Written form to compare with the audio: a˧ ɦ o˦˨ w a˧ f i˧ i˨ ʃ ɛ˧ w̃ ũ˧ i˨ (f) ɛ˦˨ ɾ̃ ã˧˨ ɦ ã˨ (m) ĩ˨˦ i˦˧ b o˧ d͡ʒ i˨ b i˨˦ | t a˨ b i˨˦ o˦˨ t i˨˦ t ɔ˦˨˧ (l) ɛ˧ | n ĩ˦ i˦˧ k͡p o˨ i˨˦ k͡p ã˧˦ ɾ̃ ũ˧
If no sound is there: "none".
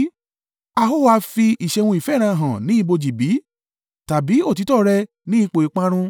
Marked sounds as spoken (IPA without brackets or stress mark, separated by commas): f, n, ɾ